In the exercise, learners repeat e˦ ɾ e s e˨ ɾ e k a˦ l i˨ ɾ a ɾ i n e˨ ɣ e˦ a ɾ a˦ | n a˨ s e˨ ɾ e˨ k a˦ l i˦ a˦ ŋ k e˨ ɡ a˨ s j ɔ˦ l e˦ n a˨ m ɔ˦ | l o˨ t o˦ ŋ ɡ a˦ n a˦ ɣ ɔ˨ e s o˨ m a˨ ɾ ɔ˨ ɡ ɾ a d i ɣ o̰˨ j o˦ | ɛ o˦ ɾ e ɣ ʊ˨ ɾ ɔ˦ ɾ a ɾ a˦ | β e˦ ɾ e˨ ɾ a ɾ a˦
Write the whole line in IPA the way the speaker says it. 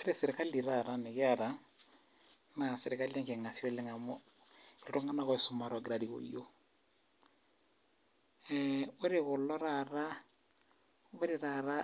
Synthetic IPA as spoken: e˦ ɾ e s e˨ ɾ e k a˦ l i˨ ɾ a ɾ a n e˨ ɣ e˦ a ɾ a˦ | n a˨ s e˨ ɾ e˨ k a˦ l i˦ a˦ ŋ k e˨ ŋ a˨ s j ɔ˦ l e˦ ŋ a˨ m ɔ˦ | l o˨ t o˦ ŋ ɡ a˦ n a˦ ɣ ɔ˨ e s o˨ m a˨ ɾ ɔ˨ ɡ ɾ a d i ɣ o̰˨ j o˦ | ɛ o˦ ɾ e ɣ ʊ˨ l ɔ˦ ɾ a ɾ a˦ | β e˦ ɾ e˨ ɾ a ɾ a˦